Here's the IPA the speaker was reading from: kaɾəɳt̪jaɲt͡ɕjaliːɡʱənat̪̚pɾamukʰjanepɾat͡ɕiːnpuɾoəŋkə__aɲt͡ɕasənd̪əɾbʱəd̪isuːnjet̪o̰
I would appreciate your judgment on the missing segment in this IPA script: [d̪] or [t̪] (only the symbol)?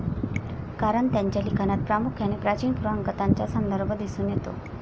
t̪